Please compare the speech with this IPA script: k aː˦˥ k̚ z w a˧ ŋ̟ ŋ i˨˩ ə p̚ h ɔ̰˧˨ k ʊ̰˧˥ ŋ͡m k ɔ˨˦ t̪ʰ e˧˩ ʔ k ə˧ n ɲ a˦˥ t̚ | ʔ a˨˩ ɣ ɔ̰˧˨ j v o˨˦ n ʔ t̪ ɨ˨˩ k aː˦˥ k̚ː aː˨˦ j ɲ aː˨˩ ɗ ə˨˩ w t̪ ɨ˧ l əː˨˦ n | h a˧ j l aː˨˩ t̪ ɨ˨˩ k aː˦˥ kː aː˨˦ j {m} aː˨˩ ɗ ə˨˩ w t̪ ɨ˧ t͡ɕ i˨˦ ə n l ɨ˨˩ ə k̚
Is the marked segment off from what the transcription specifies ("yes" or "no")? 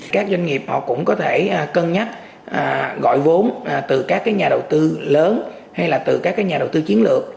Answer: yes